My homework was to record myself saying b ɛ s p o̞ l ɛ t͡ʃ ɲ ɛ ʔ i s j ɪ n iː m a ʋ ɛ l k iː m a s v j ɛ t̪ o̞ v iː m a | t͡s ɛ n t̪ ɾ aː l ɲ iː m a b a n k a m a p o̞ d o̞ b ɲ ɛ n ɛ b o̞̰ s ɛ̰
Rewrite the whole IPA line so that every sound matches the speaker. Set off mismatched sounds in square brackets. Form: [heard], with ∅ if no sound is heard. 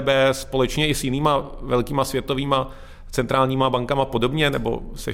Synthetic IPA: b ɛ s p o̞ l ɛ t͡ʃ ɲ ɛ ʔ [ɪ] s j ɪ n iː m a [v] ɛ l k iː m a s v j ɛ t̪ o̞ v iː m a | t͡s ɛ n t̪ ɾ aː l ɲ iː m a b a [ŋ] k a m a p o̞ d o̞ b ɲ ɛ n ɛ b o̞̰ s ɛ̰